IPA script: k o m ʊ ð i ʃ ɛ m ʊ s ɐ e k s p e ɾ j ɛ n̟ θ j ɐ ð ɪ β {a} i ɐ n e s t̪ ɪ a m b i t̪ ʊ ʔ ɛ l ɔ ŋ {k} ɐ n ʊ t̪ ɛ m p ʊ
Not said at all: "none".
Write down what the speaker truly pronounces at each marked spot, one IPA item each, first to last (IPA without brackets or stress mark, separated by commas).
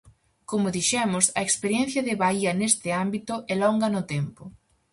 a, ɡ